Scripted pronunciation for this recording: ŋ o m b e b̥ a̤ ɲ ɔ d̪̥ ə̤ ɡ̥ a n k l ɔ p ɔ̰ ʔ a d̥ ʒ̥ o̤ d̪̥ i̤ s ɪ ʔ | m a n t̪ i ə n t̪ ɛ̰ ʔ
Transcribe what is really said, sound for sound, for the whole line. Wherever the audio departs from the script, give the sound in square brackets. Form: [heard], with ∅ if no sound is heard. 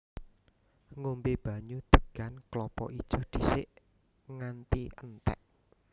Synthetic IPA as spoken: ŋ o m b e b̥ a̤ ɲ [u] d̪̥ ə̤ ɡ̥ a n k l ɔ p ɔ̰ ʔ [i] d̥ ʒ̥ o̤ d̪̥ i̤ s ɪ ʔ | [ŋ] a n t̪ i ə n t̪ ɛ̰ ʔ